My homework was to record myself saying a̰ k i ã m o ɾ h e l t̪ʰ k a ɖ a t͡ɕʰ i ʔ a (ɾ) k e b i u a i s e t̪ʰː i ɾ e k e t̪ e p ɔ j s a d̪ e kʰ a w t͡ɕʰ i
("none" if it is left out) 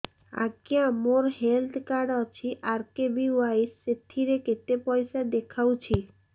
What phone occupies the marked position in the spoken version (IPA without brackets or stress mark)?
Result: ɾ